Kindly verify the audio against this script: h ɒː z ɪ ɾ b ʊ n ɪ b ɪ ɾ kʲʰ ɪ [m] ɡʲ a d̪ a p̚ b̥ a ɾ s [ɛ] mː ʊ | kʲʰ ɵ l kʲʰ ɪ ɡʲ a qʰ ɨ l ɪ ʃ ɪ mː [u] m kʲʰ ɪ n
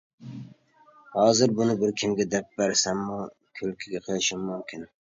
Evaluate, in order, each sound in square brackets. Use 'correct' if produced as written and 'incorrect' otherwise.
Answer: correct, incorrect, incorrect

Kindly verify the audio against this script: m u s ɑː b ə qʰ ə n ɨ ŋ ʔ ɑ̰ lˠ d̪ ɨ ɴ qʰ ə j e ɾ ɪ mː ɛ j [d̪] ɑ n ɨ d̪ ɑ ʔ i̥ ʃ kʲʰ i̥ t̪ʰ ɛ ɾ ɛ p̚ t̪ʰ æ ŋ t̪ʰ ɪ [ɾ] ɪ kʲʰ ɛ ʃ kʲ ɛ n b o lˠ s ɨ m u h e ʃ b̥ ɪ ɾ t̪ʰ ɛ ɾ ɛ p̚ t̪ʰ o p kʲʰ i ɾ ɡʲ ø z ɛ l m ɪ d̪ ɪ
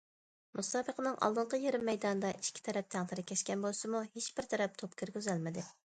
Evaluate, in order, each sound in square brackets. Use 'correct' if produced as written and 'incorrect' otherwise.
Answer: correct, correct

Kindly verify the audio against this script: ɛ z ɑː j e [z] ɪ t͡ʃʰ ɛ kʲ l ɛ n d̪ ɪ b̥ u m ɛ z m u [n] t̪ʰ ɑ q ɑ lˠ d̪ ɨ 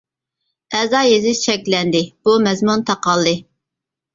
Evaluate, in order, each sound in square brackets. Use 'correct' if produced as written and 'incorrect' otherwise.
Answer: correct, correct

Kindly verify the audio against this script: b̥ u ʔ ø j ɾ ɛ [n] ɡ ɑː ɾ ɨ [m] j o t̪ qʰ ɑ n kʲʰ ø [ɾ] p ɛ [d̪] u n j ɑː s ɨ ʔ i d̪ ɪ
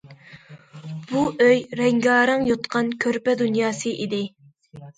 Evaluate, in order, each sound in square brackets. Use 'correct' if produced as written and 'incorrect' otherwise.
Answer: incorrect, incorrect, correct, correct

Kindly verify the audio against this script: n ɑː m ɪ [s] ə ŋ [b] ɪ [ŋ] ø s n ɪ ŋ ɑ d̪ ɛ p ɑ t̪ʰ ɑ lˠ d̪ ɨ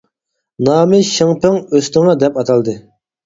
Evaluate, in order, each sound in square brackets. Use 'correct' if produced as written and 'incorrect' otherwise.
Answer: incorrect, incorrect, correct

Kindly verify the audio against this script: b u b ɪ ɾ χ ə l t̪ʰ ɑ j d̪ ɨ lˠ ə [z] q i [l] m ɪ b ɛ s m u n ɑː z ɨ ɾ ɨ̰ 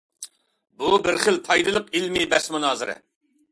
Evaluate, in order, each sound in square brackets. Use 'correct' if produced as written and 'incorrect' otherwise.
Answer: incorrect, correct

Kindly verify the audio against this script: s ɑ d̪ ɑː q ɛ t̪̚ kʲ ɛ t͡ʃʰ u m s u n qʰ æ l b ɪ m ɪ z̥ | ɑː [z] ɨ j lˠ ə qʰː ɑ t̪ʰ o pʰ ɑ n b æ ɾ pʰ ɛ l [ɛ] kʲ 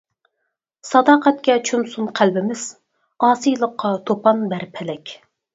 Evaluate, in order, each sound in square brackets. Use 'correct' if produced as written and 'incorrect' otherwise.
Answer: incorrect, correct

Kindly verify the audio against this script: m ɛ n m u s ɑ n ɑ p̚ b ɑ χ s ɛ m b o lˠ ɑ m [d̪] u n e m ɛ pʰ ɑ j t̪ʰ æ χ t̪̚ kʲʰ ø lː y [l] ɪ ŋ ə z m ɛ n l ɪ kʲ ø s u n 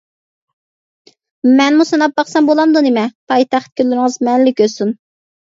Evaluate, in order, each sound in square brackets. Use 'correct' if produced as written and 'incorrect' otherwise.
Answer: correct, incorrect

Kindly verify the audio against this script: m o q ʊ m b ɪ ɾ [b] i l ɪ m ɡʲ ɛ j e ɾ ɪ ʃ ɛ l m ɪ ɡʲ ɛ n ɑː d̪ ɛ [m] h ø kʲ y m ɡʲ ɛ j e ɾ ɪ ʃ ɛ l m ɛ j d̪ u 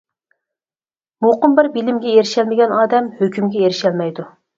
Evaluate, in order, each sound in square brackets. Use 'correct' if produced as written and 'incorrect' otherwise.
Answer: correct, correct

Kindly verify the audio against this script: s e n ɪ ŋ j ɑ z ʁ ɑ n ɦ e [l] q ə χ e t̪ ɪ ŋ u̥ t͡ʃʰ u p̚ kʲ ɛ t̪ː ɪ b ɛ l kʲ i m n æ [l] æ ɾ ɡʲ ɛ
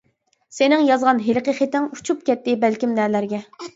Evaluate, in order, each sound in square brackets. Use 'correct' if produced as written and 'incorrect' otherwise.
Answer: correct, correct

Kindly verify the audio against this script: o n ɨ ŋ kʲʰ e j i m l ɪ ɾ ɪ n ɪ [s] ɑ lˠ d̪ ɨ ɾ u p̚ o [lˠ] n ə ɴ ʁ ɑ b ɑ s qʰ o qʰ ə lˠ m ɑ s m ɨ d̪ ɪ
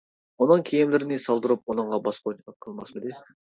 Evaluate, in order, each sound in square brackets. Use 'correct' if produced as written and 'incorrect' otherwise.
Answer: correct, incorrect

